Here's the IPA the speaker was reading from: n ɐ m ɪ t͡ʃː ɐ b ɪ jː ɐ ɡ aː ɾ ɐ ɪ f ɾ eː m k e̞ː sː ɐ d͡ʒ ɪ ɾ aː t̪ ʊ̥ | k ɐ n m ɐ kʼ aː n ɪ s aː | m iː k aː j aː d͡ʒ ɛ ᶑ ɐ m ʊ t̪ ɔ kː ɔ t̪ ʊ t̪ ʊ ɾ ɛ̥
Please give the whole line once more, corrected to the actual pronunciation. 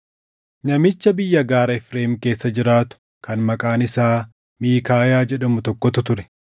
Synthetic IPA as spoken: n ɐ m ɪ t͡ʃː ɐ b ɪ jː ɐ ɡ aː ɾ ɐ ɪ f ɾ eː m k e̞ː sː ɐ d͡ʒ ɪ ɾ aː t̪ ʊ̥ | k ɐ n m ɐ kʼ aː n ɪ s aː | m iː k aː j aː d͡ʒ ɛ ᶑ ɐ m ʊ t̪ ɔ kː ɔ t̪ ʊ t̪ ʊ ɾ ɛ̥